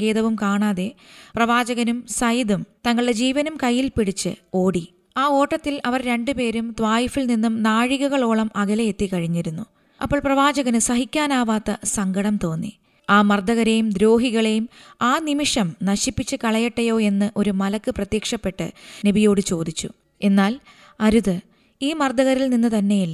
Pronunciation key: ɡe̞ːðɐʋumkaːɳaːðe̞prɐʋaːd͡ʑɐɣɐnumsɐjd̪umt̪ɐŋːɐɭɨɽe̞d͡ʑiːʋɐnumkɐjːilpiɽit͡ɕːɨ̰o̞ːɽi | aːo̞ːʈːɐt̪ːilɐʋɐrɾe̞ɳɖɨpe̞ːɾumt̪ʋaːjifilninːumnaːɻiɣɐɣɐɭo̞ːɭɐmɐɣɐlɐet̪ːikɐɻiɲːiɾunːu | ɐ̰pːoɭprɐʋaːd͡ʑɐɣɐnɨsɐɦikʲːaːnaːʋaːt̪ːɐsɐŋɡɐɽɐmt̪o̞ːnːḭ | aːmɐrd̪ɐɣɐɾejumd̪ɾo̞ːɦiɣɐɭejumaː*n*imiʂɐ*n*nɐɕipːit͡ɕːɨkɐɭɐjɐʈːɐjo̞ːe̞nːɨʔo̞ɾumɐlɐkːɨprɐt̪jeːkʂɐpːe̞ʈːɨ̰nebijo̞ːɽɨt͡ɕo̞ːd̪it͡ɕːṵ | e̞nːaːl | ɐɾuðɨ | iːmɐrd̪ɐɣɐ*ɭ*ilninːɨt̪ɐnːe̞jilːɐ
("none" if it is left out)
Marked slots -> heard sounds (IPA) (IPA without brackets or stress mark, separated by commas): n, m, ɾ